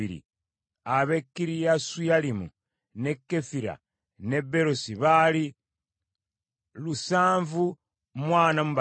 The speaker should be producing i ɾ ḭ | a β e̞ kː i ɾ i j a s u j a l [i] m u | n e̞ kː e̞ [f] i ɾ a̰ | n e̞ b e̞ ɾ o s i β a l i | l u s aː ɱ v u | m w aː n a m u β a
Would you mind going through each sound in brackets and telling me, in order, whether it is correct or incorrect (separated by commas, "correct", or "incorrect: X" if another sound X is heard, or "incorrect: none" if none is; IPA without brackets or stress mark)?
correct, correct